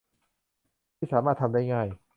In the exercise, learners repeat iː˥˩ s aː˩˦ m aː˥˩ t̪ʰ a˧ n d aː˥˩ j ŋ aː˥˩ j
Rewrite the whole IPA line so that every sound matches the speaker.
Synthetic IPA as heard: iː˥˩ s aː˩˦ m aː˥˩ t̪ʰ a˧ m d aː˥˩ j ŋ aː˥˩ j